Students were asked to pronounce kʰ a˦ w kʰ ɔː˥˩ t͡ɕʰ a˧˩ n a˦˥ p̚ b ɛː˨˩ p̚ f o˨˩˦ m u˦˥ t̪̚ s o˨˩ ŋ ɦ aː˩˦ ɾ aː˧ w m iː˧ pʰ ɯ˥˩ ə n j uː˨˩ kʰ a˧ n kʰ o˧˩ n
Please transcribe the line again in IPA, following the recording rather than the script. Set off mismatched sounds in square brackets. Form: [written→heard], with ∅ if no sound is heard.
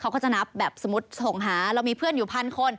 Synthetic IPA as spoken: kʰ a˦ w [kʰ→k] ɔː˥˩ [t͡ɕʰ→t͡ɕ] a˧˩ n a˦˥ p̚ b ɛː˨˩ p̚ [f→s] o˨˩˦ m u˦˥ t̪̚ s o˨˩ ŋ ɦ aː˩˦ ɾ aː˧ w m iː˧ pʰ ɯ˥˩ ə n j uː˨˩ [kʰ→pʰ] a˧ n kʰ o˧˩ n

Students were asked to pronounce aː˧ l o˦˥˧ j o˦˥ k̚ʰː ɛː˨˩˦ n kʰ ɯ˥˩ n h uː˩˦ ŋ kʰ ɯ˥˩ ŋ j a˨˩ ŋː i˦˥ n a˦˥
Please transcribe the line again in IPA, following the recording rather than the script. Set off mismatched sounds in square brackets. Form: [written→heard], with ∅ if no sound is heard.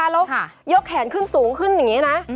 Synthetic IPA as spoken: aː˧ l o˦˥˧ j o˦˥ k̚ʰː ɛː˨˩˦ n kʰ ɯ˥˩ n [h→s] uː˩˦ ŋ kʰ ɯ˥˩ [ŋ→n] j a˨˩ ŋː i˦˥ n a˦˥

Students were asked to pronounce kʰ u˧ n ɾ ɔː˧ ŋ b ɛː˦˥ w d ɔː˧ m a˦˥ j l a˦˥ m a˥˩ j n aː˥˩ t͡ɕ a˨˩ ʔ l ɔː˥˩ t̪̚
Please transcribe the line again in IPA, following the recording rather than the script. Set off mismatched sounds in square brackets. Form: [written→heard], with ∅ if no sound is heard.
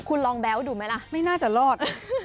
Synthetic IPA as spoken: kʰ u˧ n [ɾ→l] ɔː˧ ŋ b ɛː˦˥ w d [ɔː˧→uː˧] m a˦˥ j l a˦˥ m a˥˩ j n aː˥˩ t͡ɕ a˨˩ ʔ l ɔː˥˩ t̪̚

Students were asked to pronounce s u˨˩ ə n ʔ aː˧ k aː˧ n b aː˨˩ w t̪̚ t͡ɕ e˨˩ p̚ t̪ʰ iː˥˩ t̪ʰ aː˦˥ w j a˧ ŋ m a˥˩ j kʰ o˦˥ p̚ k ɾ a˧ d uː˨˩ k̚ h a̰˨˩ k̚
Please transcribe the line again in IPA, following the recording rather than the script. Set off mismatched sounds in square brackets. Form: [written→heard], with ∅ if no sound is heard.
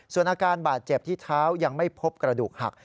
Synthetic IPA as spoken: s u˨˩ ə n ʔ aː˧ k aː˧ n b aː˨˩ [w→∅] t̪̚ t͡ɕ e˨˩ p̚ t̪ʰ iː˥˩ t̪ʰ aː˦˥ w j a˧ ŋ m a˥˩ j [kʰ→pʰ] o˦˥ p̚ k ɾ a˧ d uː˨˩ k̚ h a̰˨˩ k̚

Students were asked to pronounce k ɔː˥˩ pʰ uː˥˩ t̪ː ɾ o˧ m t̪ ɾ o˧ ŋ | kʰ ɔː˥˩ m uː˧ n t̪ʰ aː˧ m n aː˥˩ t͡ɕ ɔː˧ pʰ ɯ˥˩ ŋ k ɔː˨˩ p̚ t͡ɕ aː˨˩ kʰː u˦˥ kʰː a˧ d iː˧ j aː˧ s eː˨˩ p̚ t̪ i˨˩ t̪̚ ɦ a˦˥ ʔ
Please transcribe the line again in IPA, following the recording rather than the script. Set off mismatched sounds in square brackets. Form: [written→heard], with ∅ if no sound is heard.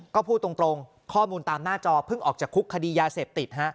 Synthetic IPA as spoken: k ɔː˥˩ pʰ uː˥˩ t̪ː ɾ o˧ [m→ŋ] t̪ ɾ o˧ ŋ | kʰ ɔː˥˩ m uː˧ n [t̪ʰ→t̪] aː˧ m n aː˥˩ t͡ɕ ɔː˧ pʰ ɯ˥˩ ŋ [k→ʔ] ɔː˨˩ [p̚→k̚] t͡ɕ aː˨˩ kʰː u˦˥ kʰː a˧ d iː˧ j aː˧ s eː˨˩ p̚ t̪ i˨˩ t̪̚ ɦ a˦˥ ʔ

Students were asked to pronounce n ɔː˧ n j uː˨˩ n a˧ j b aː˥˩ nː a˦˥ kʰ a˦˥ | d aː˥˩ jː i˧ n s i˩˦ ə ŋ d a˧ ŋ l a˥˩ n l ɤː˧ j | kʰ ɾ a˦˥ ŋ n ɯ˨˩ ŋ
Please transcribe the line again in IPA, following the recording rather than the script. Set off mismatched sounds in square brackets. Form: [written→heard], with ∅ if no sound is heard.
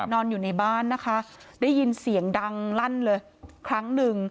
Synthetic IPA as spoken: n ɔː˧ n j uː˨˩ n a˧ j b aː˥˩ nː a˦˥ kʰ a˦˥ | d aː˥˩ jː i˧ n s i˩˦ ə ŋ d a˧ ŋ l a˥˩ n l ɤː˧ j | kʰ ɾ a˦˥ ŋ n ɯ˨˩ ŋ

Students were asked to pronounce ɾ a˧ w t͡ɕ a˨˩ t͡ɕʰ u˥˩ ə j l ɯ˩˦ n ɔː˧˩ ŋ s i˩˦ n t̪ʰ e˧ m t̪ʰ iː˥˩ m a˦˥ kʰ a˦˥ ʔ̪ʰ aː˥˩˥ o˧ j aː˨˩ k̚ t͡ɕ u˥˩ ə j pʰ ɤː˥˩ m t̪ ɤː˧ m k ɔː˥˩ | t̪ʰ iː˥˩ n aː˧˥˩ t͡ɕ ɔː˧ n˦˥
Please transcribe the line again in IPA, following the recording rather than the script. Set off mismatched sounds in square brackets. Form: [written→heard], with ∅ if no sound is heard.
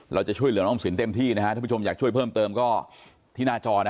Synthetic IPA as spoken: ɾ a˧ w t͡ɕ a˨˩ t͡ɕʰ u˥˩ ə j l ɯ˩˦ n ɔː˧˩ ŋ s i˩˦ n [t̪ʰ→t̪] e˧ m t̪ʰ iː˥˩ [m→n] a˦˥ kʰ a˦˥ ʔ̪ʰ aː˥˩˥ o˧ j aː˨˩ k̚ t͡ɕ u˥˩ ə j pʰ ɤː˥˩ m t̪ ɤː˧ m k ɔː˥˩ | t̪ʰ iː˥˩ n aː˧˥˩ t͡ɕ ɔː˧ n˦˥

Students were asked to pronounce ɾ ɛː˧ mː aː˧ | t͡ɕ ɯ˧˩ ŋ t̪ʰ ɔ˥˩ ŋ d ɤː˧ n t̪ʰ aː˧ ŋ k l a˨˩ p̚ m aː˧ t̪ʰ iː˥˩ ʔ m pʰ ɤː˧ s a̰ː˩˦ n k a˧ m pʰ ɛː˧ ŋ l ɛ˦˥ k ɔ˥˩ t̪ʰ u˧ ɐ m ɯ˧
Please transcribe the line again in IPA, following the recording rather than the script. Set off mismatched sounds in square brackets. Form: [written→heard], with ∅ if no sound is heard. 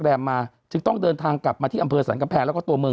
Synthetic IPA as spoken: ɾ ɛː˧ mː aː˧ | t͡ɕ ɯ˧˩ ŋ [t̪ʰ→t̪] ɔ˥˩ ŋ d ɤː˧ n t̪ʰ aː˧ ŋ k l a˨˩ p̚ m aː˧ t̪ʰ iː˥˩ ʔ m pʰ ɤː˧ s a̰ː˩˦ n k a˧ m pʰ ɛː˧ ŋ l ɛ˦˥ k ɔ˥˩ [t̪ʰ→t̪] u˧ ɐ m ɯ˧

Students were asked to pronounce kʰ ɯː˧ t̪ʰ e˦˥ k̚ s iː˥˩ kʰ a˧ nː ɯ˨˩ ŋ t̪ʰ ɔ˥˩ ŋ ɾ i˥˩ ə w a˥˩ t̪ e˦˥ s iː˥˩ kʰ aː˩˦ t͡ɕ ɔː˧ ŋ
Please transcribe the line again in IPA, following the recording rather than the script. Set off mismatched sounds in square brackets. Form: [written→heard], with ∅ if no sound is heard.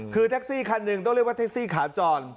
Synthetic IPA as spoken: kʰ ɯː˧ t̪ʰ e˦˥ k̚ s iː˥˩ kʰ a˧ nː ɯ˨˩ ŋ [t̪ʰ→t̪] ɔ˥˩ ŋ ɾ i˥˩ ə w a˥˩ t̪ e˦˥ s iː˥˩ kʰ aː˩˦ t͡ɕ ɔː˧ [ŋ→n]

